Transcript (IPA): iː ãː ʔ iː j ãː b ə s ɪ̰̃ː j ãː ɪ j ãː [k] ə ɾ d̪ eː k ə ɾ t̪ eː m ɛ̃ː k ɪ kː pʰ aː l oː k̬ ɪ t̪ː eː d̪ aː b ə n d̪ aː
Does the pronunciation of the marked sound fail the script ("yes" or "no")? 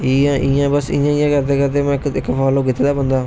no